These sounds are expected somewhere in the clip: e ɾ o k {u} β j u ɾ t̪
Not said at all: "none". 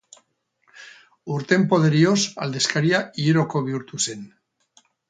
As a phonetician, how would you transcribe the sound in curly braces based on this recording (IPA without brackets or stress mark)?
o